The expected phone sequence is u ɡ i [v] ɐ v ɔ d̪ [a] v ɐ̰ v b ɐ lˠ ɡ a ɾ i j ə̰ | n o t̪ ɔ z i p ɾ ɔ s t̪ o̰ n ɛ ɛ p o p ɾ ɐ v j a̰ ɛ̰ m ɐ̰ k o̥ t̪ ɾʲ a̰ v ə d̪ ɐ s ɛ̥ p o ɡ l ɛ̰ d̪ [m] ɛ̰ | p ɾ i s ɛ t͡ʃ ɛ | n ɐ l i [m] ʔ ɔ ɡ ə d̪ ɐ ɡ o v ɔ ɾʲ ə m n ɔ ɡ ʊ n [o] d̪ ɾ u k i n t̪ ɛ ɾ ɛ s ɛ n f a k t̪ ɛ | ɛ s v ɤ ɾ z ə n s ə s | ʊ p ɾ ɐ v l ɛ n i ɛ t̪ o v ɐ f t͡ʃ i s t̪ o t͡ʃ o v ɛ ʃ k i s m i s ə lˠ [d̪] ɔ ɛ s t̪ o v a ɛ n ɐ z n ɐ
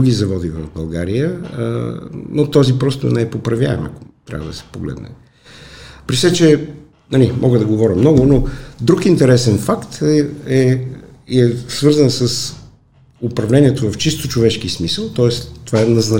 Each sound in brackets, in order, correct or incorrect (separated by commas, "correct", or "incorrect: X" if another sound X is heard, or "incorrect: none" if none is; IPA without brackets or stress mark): incorrect: z, incorrect: i, incorrect: n, correct, correct, incorrect: t̪